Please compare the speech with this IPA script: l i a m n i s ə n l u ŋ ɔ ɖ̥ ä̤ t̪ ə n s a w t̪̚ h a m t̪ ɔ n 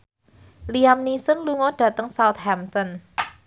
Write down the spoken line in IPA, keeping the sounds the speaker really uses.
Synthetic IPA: l i a m n i s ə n l u ŋ ɔ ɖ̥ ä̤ t̪ ə ŋ s a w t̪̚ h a m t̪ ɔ n